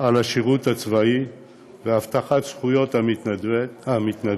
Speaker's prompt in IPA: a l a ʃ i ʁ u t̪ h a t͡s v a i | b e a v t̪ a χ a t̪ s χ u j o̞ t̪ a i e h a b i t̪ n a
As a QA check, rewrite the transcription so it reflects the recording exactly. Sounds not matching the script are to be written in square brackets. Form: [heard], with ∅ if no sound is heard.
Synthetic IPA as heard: a l a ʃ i ʁ u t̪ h a t͡s v a i | [v] e a [f] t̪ a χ a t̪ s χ u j o̞ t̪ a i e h a [m] i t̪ n a